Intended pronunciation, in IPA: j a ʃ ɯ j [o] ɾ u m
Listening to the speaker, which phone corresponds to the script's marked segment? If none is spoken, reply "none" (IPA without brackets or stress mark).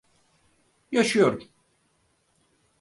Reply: o